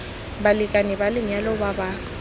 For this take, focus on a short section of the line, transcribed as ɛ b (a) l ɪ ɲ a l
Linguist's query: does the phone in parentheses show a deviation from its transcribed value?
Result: no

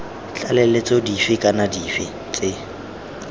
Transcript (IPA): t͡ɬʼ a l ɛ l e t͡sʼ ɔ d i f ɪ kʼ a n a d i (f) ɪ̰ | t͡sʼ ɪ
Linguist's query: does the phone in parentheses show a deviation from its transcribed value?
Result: no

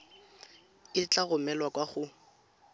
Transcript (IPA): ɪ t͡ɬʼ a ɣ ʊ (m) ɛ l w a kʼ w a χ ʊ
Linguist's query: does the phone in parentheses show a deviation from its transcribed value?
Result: no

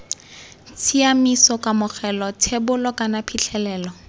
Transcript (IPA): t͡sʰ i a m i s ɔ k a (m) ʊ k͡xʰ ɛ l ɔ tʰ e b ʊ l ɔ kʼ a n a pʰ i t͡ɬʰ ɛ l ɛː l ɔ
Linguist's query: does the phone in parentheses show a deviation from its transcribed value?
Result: no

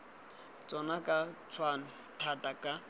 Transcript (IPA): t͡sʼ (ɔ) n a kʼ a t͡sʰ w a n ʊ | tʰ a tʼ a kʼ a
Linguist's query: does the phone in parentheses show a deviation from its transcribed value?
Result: no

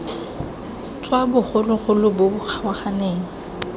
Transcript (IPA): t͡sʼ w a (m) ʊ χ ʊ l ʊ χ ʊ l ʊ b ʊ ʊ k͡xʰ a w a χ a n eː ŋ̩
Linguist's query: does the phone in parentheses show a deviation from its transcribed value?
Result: yes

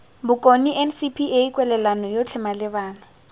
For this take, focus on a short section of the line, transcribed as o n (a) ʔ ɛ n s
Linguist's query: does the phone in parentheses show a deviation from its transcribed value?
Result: yes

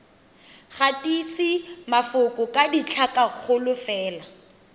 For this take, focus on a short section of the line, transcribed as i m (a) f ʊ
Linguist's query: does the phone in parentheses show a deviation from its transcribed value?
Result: no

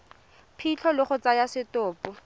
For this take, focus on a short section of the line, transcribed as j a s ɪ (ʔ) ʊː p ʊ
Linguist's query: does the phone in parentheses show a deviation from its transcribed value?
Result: yes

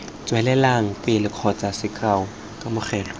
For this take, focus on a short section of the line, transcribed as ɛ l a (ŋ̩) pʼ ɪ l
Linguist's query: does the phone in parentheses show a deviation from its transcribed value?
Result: no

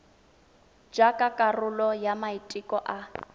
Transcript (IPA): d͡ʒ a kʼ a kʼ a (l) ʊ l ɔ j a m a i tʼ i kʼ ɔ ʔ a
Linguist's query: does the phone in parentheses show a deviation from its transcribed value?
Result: yes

